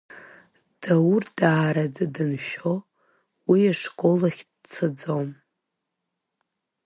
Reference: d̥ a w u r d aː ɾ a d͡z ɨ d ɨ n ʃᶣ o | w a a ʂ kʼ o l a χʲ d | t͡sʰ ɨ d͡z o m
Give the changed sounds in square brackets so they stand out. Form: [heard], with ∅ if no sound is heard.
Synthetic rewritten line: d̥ a w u r d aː ɾ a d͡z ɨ d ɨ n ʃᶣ o | w [i] a ʂ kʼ o l a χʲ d | t͡sʰ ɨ d͡z o m